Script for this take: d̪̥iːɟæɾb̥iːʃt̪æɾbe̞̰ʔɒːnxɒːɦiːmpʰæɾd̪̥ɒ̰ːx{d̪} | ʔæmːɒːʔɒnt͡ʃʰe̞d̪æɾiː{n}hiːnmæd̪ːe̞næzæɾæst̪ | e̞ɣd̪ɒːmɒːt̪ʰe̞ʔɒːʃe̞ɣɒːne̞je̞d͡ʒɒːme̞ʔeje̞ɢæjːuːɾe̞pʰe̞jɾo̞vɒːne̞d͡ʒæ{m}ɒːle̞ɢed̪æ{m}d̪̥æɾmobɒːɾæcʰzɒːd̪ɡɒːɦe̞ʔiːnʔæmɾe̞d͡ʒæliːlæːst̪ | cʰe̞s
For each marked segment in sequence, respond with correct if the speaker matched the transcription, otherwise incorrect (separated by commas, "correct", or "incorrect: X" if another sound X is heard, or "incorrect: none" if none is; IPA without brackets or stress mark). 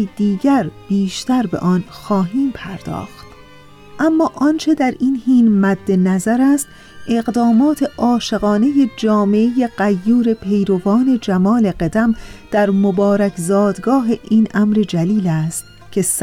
incorrect: t̪, correct, correct, correct